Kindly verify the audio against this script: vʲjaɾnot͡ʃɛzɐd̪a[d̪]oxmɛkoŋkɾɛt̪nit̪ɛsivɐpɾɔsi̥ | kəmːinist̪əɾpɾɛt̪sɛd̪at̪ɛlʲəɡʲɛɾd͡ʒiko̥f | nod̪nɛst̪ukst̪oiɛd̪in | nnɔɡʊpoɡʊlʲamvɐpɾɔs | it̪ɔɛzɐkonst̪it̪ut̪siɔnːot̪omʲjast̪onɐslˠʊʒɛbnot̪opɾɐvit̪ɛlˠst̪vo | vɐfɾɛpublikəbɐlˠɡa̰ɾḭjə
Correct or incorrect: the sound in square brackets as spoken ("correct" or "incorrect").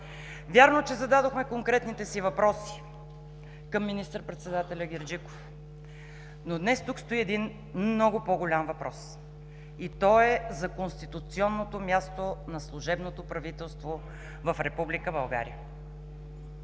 correct